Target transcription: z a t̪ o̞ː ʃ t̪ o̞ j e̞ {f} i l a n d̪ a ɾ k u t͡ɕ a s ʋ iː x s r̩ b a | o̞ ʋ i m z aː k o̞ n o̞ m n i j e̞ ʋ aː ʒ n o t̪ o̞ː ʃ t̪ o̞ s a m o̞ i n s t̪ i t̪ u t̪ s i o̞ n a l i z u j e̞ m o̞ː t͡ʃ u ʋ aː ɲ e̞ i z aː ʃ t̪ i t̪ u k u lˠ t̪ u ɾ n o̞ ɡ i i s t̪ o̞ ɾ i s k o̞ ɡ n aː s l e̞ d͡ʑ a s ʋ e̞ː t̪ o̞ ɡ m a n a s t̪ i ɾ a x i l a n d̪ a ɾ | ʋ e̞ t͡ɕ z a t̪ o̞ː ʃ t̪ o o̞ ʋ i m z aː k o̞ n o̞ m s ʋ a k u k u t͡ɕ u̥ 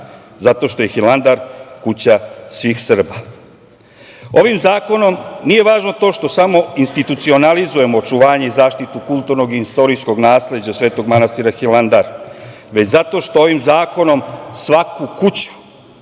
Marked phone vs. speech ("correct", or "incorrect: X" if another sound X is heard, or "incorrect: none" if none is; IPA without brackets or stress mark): incorrect: x